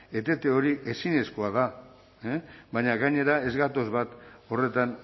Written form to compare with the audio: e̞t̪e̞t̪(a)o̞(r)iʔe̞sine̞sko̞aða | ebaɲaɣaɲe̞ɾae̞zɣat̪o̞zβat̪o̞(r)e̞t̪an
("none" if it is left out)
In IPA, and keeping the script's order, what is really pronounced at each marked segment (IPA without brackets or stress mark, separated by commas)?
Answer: e, ɾ, r